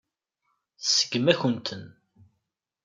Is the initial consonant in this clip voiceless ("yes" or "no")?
yes